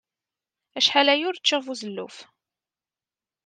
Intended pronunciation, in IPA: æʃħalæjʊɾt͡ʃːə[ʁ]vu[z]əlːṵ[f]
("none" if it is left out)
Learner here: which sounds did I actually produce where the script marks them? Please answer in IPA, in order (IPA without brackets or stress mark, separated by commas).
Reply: ʁ, z, f